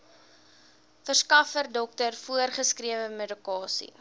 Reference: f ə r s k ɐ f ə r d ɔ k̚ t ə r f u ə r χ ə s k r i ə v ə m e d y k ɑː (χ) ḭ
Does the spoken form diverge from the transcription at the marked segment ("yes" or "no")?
yes